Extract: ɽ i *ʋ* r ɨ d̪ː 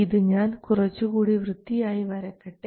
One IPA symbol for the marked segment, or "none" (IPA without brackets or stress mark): ʋ